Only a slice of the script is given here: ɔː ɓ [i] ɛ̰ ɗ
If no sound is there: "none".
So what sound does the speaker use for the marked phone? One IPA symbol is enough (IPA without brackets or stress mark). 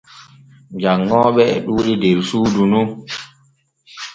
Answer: ɛ